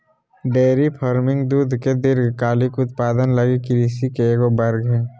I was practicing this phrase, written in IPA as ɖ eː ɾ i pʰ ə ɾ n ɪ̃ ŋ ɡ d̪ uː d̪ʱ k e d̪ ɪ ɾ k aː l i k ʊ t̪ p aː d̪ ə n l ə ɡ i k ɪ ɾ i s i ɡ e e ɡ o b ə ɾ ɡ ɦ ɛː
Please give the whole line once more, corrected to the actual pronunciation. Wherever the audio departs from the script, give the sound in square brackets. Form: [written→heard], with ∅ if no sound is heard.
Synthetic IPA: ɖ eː ɾ i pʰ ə ɾ [n→m] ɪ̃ ŋ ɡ d̪ uː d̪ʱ k e d̪ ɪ ɾ k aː l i k ʊ t̪ p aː d̪ ə n l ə ɡ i k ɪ ɾ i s i [ɡ→k] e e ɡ o b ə ɾ ɡ ɦ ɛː